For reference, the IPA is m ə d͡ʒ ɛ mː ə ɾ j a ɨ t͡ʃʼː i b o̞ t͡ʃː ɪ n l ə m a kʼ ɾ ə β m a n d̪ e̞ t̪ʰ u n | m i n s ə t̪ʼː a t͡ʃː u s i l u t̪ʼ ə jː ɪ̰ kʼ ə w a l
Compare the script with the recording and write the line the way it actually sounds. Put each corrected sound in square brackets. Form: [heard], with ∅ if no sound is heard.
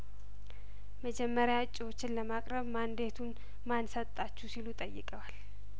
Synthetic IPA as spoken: m ə d͡ʒ ɛ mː ə ɾ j a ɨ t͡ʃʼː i [w] o̞ t͡ʃː ɪ n l ə m a kʼ ɾ ə β m a n d̪ e̞ t̪ʰ u n | m [a] n s ə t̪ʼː a t͡ʃː u s i l u t̪ʼ ə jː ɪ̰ kʼ ə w a l